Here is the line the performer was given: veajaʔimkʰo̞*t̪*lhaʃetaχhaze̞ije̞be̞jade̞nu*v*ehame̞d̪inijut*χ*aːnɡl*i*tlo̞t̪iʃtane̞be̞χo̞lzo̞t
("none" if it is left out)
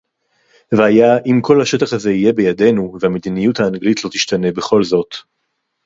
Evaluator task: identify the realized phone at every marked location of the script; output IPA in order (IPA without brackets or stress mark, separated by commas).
none, v, h, i